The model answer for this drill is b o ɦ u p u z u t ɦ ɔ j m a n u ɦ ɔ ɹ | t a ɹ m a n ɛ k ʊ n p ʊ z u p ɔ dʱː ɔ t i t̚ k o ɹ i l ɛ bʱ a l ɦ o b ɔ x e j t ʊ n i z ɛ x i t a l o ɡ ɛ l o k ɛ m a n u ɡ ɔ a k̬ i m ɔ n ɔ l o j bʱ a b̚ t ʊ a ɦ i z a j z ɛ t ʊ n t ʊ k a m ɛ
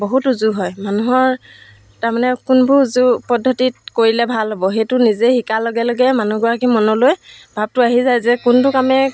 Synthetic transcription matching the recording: b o ɦ u t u z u ɦ ɔ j m a n u ɦ ɔ ɹ | t a ɹ m a n ɛ k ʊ n b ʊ z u p ɔ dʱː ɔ t i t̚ k o ɹ i l ɛ bʱ a l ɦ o b ɔ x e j t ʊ n i z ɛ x i k a l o ɡ ɛ l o ɡ ɛ m a n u ɡ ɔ a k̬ i m ɔ n ɔ l o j bʱ a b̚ t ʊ a ɦ i z a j z ɛ k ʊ n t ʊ k a m ɛ

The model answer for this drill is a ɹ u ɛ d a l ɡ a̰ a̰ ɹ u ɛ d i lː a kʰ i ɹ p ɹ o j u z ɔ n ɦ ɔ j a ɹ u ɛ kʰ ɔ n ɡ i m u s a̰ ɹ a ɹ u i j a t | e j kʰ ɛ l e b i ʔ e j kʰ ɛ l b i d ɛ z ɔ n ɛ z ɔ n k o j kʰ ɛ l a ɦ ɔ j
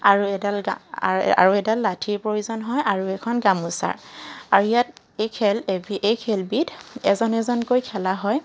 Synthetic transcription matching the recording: a ɹ u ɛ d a l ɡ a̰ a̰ ɹ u ɛ d a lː a tʰ i ɹ p ɹ o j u z ɔ n ɦ ɔ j a ɹ u ɛ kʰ ɔ n ɡ a m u s a̰ ɹ a ɹ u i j a t | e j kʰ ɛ l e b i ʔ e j kʰ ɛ l b i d ɛ z ɔ n ɛ z ɔ n k o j kʰ ɛ l a ɦ ɔ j

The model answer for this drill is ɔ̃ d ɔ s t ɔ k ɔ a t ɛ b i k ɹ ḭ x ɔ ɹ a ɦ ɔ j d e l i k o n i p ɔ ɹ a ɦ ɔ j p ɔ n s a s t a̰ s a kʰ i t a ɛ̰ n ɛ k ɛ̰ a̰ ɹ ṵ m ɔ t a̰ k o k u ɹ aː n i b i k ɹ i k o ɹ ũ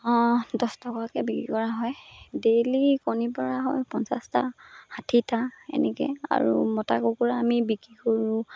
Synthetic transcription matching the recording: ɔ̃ d ɔ s t ɔ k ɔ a k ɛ b i k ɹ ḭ k ɔ ɹ a ɦ ɔ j d e l i k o n i p ɔ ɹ a ɦ ɔ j p ɔ n s a s t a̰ h a tʰ i t a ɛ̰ n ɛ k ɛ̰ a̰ ɹ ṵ m ɔ t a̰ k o k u ɹ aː m i b i k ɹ i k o ɹ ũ

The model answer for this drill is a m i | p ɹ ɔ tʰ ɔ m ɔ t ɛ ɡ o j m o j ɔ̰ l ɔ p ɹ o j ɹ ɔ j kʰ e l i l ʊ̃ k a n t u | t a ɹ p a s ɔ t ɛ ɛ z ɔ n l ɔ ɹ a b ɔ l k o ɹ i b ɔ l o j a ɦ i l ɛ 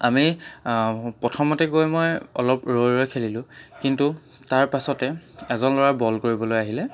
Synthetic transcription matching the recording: a m i | p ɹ ɔ tʰ ɔ m ɔ t ɛ ɡ o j m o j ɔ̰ l ɔ p ɹ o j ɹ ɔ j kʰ e l i l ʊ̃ k i n t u | t a ɹ p a s ɔ t ɛ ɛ z ɔ n l ɔ ɹ a b ɔ l k o ɹ i b ɔ l o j a ɦ i l ɛ

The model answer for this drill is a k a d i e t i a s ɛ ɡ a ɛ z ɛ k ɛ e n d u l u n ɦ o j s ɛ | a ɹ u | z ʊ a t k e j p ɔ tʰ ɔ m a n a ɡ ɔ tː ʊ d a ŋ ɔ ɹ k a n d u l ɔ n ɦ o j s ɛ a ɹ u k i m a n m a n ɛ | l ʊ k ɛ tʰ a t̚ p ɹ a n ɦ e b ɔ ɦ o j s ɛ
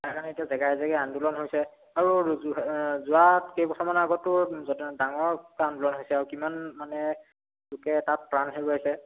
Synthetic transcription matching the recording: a k a n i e t i a z ɛ ɡ a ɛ z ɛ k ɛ a n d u l ɔ n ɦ o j s ɛ | a ɹ u | z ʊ a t k e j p ɔ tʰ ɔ m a n a ɡ ɔ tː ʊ d a ŋ ɔ ɹ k a n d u l ɔ n ɦ o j s ɛ a ɹ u k i m a n m a n ɛ | l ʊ k ɛ t a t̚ p ɹ a n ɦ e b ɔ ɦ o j s ɛ

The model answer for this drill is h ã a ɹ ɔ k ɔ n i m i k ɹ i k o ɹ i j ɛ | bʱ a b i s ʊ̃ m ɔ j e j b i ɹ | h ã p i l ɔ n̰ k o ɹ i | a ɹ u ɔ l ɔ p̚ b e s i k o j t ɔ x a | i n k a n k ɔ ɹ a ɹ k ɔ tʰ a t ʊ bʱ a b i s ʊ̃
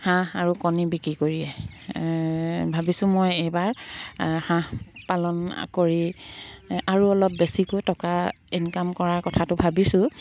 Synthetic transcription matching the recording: h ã a ɹ u k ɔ n i b i k ɹ i k o ɹ i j ɛ | bʱ a b i s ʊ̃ m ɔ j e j b a ɹ | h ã p a l ɔ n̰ k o ɹ i | a ɹ u ɔ l ɔ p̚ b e s i k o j t ɔ k a | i n k a m k ɔ ɹ a ɹ k ɔ tʰ a t ʊ bʱ a b i s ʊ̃

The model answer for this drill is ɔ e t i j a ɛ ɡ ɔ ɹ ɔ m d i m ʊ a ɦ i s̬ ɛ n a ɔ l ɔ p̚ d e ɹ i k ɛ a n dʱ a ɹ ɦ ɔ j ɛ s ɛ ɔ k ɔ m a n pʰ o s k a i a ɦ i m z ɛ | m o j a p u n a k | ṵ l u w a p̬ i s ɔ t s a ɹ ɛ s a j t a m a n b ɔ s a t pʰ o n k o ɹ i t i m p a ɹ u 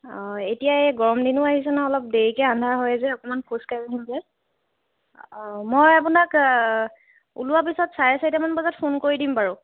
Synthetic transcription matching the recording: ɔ e t i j a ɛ ɡ ɔ ɹ ɔ m d i n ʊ a ɦ i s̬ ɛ n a ɔ l ɔ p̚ d e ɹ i k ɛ a n dʱ a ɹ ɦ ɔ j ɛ z ɛ ɔ k ɔ m a n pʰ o s k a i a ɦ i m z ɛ | m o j a p u n a k | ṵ l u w a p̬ i s ɔ t s a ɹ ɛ s a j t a m a n b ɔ z a t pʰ o n k o ɹ i d i m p a ɹ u

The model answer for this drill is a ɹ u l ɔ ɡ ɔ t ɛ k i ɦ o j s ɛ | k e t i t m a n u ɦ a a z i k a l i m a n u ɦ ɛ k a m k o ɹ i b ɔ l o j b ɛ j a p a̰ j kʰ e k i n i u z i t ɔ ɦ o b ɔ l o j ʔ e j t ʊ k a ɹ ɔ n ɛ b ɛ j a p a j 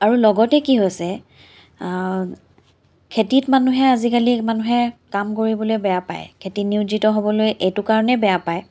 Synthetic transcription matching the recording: a ɹ u l ɔ ɡ ɔ t ɛ k i ɦ o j s ɛ | kʰ e t i t m a n u ɦ ɛ a z i k a l i m a n u ɦ ɛ k a m k o ɹ i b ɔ l o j b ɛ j a p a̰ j kʰ e t i n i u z i t ɔ ɦ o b ɔ l o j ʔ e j t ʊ k a ɹ ɔ n ɛ b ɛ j a p a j

